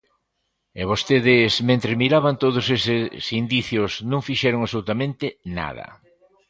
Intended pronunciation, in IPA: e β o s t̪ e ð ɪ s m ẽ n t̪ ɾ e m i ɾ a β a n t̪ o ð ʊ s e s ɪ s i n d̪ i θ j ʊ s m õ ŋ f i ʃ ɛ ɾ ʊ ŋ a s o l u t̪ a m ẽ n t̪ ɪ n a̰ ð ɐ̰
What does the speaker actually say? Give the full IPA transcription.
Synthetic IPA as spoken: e β o s t̪ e ð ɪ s m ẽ n t̪ ɾ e m i ɾ a β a n t̪ o ð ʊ s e s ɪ s i n d̪ i θ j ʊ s n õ ŋ f i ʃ ɛ ɾ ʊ ŋ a s o l u t̪ a m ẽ n t̪ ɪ n a̰ ð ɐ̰